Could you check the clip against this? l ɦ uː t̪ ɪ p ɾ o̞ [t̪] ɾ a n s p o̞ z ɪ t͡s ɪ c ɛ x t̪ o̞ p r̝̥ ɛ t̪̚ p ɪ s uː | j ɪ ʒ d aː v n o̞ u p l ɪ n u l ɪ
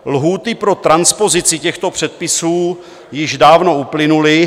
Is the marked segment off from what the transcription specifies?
no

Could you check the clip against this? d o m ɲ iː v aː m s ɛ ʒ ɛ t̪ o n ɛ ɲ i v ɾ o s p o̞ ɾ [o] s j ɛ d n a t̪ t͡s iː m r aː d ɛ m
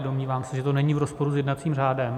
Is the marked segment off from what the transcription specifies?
yes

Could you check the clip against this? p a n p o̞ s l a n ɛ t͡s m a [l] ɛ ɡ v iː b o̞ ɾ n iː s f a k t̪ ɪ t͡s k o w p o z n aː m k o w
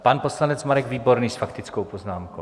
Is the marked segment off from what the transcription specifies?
yes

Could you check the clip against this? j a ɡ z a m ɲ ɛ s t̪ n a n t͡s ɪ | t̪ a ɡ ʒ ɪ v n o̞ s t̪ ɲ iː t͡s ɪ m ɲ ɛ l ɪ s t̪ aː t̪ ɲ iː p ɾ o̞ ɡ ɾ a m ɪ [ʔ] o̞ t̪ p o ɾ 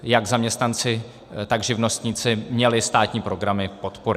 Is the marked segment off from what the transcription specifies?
yes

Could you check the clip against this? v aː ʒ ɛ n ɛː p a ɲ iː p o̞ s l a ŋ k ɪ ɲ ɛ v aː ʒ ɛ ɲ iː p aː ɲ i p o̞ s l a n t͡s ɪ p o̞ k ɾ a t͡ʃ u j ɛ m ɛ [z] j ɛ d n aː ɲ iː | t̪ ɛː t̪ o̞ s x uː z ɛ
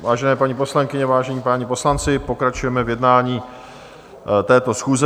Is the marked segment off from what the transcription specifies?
yes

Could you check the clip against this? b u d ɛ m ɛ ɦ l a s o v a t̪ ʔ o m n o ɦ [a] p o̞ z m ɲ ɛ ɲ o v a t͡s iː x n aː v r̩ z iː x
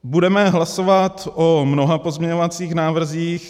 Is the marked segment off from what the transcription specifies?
no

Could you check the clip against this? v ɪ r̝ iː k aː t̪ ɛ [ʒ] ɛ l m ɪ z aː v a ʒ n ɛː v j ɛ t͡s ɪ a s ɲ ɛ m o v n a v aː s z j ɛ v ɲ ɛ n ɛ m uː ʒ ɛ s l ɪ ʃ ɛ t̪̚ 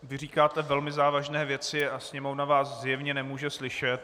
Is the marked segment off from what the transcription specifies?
yes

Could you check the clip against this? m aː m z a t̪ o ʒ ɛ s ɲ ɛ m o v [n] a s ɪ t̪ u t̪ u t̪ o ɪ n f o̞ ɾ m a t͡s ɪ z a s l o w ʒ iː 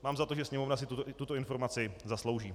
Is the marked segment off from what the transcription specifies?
no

